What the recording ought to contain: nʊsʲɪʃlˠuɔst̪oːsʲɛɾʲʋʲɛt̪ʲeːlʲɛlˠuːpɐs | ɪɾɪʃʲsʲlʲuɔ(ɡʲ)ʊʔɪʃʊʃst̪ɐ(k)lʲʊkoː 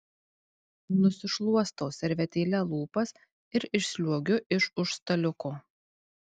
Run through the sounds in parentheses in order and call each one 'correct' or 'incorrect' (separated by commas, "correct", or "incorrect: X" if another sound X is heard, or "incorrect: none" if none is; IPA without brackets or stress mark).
correct, incorrect: none